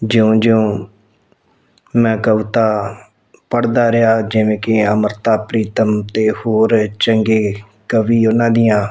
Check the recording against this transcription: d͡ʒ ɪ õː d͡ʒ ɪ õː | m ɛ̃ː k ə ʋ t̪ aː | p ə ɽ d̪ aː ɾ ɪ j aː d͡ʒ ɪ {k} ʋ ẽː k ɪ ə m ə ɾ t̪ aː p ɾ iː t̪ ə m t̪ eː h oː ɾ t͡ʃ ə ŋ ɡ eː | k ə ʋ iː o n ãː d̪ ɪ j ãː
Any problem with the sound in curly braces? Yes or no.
yes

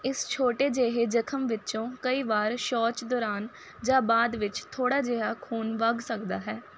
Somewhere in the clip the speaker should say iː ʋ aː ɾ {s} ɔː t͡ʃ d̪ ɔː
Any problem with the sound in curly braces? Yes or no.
yes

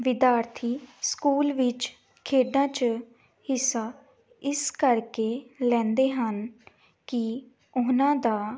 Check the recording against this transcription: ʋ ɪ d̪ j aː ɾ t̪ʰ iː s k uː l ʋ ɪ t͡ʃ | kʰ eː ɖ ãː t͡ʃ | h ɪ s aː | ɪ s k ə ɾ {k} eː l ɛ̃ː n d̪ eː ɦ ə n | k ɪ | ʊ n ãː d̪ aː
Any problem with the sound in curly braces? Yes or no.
no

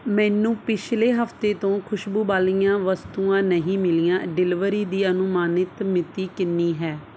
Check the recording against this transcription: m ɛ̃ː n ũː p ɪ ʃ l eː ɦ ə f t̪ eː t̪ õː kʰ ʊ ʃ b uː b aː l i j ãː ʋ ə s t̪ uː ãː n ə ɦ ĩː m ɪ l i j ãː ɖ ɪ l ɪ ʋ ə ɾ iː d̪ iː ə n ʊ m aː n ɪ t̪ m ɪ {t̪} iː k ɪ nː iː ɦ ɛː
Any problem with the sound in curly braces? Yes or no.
no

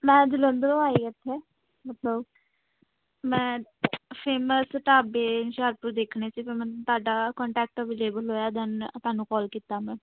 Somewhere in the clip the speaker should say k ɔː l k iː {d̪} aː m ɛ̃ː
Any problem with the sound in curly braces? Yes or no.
yes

